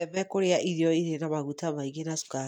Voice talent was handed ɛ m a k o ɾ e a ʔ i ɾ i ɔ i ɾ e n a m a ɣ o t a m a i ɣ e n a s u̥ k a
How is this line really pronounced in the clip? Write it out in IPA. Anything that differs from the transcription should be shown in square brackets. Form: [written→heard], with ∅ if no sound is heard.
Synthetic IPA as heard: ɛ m [a→ɛ] k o ɾ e a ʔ i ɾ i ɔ i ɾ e n a m a ɣ [o→u] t a m a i ɣ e n a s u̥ k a